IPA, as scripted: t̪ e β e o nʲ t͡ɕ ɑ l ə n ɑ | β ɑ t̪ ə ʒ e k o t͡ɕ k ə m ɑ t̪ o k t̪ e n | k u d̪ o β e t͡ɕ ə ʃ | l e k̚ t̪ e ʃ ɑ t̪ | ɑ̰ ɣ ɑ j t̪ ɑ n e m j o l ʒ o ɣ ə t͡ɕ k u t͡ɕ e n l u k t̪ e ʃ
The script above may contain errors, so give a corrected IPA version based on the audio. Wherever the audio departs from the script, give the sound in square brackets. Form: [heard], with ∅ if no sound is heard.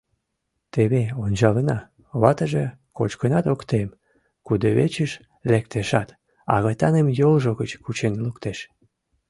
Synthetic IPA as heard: t̪ e β e o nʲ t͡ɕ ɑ l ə n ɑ | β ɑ t̪ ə ʒ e k o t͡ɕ k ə [n] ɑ t̪ o k t̪ e [m] | k u d̪ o β e t͡ɕ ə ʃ | l e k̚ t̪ e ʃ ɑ t̪ | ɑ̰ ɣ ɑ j t̪ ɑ n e m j o l ʒ o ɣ ə t͡ɕ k u t͡ɕ e n l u k t̪ e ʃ